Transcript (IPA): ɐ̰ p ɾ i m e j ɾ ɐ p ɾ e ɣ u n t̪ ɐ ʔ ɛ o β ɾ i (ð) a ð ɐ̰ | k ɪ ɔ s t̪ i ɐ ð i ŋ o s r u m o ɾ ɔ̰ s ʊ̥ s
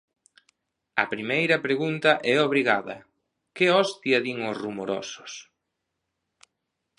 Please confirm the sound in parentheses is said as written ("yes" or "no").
no